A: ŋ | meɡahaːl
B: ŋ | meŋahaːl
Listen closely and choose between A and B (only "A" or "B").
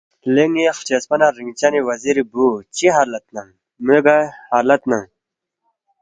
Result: A